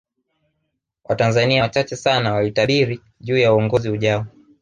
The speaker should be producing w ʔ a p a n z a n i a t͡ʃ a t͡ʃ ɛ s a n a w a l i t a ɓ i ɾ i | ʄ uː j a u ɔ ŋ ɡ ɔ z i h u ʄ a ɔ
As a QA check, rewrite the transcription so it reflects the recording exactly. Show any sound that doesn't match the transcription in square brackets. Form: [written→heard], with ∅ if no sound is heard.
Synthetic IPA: w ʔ a [p→t] a n z a n i a t͡ʃ a t͡ʃ ɛ s a n a w a l i t a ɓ i ɾ i | ʄ uː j a u ɔ ŋ ɡ ɔ z i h u ʄ a ɔ